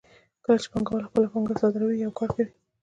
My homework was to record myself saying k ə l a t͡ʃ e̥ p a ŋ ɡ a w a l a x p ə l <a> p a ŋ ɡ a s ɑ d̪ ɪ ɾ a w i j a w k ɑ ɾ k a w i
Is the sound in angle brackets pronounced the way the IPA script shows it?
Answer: yes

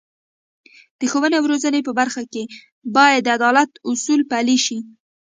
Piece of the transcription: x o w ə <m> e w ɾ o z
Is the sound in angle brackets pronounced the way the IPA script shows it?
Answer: no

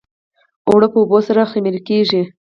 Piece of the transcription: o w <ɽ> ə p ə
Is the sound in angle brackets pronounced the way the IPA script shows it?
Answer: yes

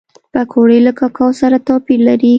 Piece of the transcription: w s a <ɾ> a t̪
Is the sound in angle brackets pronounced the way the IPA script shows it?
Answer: yes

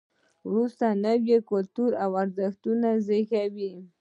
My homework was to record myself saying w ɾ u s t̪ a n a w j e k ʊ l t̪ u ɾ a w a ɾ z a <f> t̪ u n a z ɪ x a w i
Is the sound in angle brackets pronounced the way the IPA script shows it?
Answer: no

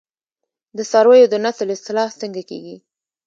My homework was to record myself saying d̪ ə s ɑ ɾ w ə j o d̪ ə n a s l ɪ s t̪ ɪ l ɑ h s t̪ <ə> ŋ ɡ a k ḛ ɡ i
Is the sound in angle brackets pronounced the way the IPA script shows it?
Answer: yes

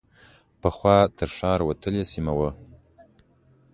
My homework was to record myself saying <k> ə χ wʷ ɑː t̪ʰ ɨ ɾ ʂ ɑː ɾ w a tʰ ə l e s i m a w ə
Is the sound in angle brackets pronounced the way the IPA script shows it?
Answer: no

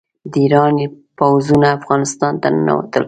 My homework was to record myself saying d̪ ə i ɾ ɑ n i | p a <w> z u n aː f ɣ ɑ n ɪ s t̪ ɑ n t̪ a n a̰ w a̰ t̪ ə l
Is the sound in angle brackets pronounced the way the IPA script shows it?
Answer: yes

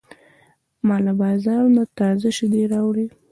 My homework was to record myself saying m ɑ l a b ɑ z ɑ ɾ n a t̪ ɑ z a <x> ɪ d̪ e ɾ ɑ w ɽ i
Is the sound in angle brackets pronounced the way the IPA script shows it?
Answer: no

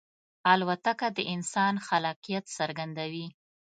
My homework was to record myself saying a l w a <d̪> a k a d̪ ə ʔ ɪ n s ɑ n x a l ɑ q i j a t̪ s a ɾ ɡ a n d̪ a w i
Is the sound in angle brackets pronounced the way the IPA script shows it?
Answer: no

